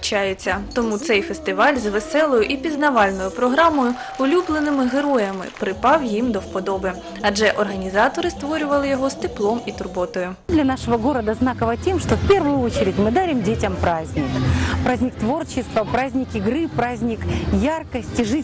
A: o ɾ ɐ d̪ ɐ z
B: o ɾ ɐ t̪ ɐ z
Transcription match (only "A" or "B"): A